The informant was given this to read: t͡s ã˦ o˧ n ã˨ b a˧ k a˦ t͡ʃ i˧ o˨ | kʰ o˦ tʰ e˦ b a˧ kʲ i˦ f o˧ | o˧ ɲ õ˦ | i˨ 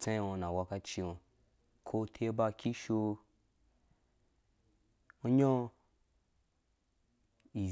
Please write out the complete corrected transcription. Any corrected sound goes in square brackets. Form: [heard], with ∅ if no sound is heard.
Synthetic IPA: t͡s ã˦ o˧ n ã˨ [w] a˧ k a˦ t͡ʃ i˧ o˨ | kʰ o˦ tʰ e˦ b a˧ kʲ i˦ [ʃ] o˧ | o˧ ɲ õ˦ | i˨